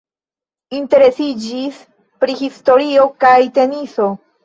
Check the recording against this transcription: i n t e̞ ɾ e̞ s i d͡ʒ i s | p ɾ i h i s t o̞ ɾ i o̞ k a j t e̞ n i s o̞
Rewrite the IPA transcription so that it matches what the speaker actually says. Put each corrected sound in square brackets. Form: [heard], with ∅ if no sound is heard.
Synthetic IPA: i n t e̞ ɾ e̞ s i d͡ʒ i s | p ɾ i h i s t o̞ ɾ i o̞ k a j t e̞ n i s o̞